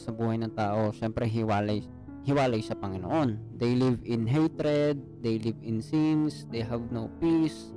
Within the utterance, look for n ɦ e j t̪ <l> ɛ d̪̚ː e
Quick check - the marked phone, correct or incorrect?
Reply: incorrect